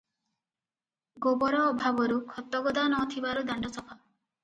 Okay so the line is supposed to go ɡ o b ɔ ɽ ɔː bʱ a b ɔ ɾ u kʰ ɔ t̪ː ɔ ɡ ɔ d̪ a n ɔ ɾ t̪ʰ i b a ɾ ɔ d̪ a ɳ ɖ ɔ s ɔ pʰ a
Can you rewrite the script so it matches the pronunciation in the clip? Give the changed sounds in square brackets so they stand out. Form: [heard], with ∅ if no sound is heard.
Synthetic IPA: ɡ o b ɔ [ɾ] ɔː bʱ a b ɔ ɾ u kʰ ɔ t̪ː ɔ ɡ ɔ d̪ a n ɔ [∅] t̪ʰ i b a ɾ [u] d̪ a ɳ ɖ ɔ s ɔ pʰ a